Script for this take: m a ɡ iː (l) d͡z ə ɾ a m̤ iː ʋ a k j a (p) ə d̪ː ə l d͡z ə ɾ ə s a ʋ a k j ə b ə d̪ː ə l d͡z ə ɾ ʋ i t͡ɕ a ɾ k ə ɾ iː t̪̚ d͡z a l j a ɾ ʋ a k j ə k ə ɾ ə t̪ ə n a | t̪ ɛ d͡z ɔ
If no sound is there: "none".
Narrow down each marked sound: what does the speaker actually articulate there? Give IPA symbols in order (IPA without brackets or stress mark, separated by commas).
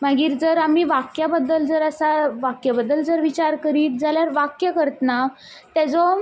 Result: ɾ, b